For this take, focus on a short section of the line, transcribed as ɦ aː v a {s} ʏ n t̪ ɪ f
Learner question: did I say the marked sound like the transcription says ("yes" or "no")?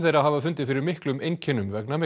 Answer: no